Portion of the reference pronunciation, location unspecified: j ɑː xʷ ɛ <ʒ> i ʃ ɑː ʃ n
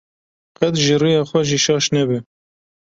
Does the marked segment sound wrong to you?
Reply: no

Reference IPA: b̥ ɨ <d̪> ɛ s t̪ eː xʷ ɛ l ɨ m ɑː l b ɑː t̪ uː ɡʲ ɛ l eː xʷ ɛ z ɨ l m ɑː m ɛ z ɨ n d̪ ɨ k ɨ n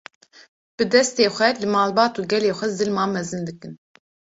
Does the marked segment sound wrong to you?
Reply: no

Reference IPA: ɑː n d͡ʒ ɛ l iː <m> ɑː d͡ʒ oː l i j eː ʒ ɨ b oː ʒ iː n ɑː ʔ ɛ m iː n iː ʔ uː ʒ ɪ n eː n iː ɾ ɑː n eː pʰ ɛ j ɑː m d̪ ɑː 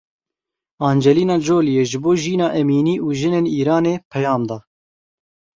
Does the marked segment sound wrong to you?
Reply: yes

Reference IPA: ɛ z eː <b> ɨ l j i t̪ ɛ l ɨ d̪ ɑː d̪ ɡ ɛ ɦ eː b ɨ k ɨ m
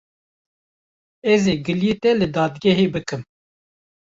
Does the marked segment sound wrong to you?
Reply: yes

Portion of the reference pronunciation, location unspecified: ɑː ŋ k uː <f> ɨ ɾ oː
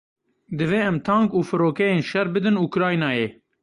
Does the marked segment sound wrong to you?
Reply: no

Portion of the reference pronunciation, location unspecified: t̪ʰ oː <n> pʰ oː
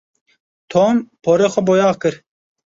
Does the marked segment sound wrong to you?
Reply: yes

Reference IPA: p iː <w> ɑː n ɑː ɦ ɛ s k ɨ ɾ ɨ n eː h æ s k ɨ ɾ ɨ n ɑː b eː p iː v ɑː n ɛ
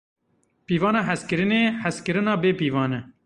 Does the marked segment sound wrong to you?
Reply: yes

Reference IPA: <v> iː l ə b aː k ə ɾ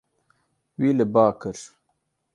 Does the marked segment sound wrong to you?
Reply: yes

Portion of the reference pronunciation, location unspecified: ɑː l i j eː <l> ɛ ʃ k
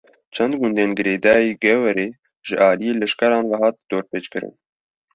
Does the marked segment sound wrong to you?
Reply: no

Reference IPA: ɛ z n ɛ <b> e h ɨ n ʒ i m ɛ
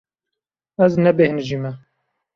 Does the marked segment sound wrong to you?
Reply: no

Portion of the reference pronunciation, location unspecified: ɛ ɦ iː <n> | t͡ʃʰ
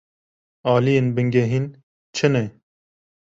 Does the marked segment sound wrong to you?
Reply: no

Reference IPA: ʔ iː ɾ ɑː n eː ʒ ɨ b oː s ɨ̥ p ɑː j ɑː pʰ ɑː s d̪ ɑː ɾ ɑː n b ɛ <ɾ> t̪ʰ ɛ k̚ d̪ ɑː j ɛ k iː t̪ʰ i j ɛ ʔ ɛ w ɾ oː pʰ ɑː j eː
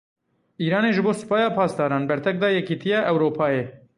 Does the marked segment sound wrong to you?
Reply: no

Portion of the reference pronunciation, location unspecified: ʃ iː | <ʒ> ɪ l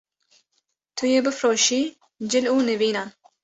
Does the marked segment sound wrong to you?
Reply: yes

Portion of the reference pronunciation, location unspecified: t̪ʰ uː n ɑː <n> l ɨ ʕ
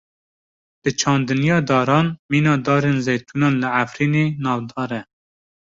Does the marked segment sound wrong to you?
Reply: no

